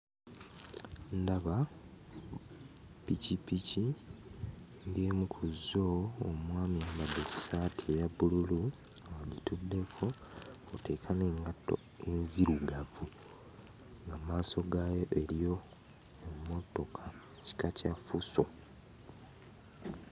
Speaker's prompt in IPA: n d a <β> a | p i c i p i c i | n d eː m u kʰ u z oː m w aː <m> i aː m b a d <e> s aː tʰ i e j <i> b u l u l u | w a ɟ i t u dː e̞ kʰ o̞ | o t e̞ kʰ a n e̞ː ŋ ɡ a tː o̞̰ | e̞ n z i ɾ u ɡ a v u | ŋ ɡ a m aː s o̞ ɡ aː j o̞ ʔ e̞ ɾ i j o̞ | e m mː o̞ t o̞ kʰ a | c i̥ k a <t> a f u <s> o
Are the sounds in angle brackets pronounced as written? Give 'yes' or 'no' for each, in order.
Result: yes, yes, yes, no, no, yes

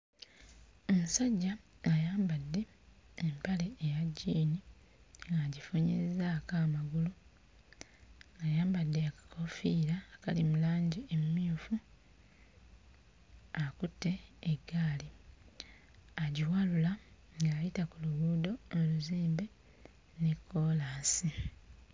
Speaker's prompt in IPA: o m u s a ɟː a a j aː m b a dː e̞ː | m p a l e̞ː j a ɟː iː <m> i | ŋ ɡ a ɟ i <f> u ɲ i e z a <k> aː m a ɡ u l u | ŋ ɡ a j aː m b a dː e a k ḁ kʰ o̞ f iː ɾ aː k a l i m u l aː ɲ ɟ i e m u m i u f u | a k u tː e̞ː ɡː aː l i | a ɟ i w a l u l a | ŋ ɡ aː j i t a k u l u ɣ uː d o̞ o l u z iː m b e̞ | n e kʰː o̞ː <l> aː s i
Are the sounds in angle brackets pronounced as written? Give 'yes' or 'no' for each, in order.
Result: no, yes, yes, yes

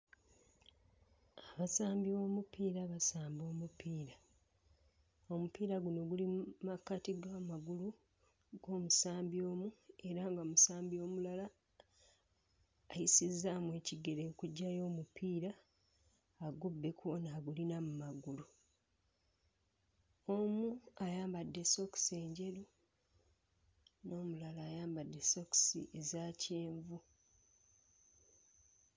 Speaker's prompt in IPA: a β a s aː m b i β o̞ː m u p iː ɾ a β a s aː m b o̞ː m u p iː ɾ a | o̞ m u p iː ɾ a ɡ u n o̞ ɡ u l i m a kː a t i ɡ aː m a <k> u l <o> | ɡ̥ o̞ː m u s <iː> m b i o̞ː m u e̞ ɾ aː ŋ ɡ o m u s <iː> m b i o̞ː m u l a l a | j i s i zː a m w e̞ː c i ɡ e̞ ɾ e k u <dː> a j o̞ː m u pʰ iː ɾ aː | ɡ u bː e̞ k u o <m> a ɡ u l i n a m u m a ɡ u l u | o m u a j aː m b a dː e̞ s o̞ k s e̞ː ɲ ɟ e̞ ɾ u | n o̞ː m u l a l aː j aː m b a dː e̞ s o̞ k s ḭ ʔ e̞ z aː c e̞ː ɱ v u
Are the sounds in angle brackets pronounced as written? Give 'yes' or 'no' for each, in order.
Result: no, no, no, no, no, no

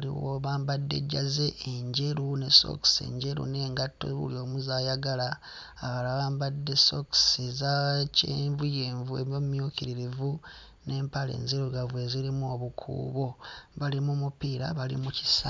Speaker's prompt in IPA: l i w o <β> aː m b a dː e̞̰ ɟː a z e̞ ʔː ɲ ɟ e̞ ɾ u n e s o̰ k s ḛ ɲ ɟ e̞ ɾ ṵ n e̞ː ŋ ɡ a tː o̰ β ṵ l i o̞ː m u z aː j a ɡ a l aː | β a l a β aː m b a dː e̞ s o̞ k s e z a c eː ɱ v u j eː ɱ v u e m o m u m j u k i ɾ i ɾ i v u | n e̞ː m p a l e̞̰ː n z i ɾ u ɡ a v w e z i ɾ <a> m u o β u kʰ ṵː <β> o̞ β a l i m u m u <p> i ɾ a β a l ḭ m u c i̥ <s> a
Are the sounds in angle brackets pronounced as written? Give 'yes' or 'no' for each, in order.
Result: yes, no, yes, yes, yes

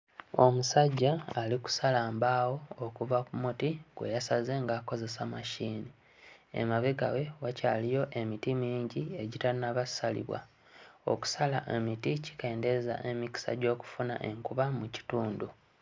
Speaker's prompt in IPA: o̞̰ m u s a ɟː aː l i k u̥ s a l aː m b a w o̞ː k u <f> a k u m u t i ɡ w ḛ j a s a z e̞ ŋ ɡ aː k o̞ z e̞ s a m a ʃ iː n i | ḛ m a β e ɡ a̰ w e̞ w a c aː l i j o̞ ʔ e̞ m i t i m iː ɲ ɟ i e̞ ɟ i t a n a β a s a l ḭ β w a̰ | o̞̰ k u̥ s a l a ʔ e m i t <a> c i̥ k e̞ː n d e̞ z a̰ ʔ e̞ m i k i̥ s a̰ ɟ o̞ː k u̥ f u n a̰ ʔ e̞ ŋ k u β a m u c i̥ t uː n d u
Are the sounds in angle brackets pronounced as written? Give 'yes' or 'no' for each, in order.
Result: no, no

